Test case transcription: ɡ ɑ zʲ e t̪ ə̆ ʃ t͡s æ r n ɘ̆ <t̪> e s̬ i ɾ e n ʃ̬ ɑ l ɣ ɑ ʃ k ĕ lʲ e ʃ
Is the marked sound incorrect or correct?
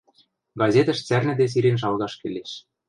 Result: incorrect